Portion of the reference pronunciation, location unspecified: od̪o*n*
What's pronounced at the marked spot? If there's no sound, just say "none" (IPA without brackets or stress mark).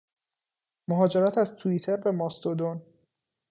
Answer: n